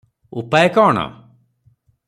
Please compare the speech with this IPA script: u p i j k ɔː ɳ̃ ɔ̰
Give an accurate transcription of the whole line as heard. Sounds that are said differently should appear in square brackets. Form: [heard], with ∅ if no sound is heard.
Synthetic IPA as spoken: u p [a] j k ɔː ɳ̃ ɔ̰